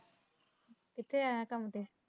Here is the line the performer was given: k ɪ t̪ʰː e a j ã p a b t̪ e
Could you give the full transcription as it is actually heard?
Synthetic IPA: k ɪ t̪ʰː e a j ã k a m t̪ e

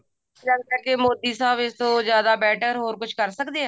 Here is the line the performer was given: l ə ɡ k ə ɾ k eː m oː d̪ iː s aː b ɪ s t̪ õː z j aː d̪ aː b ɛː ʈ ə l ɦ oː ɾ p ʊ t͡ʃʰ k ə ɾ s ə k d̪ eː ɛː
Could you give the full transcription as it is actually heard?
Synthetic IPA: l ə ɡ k ə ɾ k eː m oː d̪ iː s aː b ɪ s t̪ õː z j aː d̪ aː b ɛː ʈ ə ɾ ɦ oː ɾ k ʊ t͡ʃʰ k ə ɾ s ə k d̪ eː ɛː

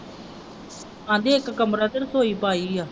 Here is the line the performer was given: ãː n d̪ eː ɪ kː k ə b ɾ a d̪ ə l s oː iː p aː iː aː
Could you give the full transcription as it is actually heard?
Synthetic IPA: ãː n d̪ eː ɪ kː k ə m ɾ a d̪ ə ɾ s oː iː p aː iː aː

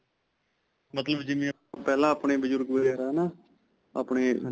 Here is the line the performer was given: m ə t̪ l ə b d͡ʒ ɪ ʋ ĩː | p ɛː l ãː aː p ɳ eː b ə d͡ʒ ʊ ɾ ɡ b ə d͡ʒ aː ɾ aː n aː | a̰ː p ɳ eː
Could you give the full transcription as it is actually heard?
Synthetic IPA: m ə t̪ l ə b d͡ʒ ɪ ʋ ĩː | p ɛː l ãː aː p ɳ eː b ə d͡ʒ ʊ ɾ ɡ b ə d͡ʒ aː ɾ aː n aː | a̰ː p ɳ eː

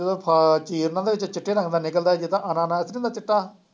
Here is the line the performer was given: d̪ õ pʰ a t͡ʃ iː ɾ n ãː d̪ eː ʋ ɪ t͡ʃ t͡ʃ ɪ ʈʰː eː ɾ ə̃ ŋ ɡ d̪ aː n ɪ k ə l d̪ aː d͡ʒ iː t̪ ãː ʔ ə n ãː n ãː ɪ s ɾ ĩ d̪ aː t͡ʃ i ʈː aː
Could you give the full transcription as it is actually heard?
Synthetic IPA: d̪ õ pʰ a t͡ʃ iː ɾ n ãː d̪ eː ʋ ɪ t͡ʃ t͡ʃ ɪ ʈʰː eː ɾ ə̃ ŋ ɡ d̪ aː n ɪ k ə l d̪ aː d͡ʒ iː t̪ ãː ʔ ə n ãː n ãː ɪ s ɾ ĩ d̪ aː t͡ʃ ɪ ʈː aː

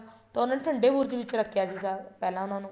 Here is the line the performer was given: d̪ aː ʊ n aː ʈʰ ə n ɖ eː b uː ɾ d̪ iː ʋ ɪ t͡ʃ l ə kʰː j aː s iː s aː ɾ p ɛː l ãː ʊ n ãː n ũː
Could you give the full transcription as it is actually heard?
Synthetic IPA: t̪ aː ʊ n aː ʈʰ ə ɳ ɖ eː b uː ɾ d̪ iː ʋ ɪ t͡ʃ ɾ ə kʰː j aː s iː s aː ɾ p ɛː l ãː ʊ n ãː n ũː

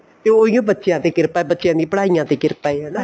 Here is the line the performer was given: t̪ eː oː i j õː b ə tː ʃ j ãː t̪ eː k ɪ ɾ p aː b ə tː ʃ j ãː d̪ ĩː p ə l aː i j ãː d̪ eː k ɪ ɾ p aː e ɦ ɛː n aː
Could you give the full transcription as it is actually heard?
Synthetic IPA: t̪ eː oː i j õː b ə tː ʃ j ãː t̪ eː k ɪ ɾ p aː b ə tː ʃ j ãː d̪ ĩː p ə ɽ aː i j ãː t̪ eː k ɪ ɾ p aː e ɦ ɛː n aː

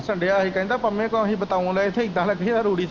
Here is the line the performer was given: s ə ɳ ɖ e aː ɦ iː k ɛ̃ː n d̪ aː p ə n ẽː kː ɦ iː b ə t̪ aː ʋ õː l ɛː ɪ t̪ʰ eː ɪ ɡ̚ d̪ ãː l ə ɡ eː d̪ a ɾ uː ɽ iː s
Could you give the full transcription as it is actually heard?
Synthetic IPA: s ə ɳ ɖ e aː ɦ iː k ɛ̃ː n d̪ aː p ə m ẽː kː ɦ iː b ə t̪ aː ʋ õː l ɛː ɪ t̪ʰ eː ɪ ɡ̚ d̪ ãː l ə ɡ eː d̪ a ɾ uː ɽ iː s

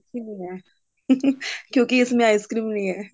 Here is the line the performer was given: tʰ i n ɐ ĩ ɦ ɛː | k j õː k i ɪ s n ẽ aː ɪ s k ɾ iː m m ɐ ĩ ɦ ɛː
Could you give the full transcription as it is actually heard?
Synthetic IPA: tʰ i n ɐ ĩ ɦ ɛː | k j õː k i ɪ s m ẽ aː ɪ s k ɾ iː m n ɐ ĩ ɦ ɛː

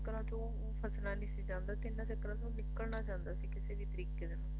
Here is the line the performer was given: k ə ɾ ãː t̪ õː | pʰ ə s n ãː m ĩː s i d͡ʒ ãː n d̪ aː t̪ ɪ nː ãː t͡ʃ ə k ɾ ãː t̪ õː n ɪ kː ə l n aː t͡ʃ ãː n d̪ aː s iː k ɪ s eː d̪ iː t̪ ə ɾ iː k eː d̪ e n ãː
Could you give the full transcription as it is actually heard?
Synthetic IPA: k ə ɾ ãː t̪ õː | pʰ ə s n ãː n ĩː s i d͡ʒ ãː n d̪ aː t̪ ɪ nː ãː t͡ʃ ə k ɾ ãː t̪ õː n ɪ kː ə l n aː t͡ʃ ãː n d̪ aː s iː k ɪ s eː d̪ iː t̪ ə ɾ iː k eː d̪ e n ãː

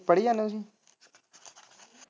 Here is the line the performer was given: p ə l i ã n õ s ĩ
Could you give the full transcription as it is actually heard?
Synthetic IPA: p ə ɽ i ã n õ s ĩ

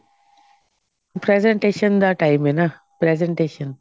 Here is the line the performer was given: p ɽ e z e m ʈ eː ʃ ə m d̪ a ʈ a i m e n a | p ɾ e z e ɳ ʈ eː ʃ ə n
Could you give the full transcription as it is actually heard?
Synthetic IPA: p ɾ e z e ɳ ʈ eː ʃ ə n d̪ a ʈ a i m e n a | p ɾ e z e ɳ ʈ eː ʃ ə n

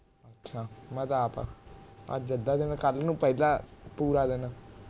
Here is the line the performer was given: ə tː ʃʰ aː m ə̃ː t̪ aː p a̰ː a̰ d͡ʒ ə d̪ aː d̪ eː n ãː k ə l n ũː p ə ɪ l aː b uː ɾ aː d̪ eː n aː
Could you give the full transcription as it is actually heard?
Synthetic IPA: ə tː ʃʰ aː m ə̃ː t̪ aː p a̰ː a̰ d͡ʒ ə d̪ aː d̪ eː n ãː k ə l n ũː p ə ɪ l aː p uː ɾ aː d̪ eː n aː

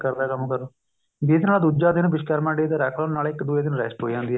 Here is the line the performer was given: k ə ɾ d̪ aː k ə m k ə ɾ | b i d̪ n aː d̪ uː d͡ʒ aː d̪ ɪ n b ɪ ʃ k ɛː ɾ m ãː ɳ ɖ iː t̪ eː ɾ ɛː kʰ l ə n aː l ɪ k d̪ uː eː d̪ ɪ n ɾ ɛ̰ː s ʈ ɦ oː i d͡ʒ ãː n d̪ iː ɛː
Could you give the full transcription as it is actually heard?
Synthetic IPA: k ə ɾ d̪ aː k ə m k ə ɾ | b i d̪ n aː d̪ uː d͡ʒ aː d̪ ɪ n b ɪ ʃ k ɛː ɾ m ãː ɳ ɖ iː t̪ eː ɾ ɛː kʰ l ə n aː l ɪ k d̪ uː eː d̪ ɪ n ɾ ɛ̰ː s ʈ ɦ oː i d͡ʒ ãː n d̪ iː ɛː

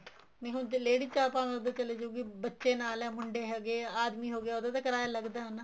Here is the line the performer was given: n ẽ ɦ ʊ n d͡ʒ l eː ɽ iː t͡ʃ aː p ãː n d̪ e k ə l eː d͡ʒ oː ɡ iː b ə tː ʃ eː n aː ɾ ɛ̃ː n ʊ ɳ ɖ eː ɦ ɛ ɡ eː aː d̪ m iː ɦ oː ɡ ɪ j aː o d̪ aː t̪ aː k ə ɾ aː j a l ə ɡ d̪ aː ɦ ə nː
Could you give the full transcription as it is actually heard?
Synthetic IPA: n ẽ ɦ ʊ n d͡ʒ l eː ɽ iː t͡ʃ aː p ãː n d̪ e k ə l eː d͡ʒ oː ɡ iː b ə tː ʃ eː n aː l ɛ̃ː m ʊ ɳ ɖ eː ɦ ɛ ɡ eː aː d̪ m iː ɦ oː ɡ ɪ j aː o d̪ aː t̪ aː k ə ɾ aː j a l ə ɡ d̪ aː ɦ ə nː

